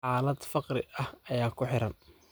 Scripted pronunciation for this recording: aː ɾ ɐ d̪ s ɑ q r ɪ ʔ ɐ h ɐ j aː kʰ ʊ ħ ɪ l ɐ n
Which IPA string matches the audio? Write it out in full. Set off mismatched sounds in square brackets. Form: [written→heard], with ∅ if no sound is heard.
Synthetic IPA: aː [ɾ→l] ɐ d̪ [s→f] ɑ q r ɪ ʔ ɐ h ɐ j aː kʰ ʊ ħ ɪ [l→ɾ] ɐ n